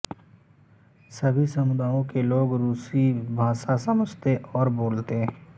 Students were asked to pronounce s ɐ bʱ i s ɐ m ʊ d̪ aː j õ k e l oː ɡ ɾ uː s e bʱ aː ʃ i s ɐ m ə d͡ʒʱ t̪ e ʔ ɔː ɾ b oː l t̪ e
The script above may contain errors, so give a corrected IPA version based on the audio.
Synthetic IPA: s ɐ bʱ i s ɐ m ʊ d̪ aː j õ k e l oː ɡ ɾ uː s i bʱ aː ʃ a s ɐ m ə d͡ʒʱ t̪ e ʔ ɔː ɾ b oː l t̪ e